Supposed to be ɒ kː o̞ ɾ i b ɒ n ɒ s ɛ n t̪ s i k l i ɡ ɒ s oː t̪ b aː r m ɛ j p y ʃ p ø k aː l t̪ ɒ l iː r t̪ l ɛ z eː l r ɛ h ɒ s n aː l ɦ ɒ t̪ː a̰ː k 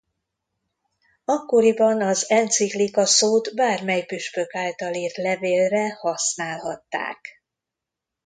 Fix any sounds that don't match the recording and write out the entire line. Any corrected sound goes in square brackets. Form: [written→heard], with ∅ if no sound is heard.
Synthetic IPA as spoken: ɒ kː o̞ ɾ i b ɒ n ɒ [s→z] ɛ n t̪ s i k l i [ɡ→k] ɒ s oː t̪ b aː r m ɛ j p y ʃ p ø k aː l t̪ ɒ l iː r t̪ l ɛ [z→v] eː l r ɛ h ɒ s n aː l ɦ ɒ t̪ː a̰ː k